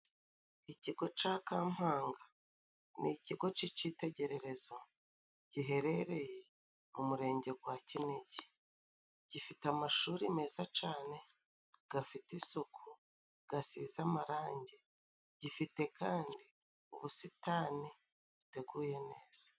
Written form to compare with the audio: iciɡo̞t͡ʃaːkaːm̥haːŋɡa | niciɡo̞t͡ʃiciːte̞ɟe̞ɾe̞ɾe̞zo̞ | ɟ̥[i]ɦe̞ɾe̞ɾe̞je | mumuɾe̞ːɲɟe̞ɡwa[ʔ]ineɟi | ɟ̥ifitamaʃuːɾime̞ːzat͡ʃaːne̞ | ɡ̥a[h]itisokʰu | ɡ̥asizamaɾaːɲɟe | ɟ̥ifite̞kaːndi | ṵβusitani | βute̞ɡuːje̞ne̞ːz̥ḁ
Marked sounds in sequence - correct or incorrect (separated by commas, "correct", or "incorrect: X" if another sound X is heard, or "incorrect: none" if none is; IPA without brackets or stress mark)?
correct, incorrect: c, incorrect: f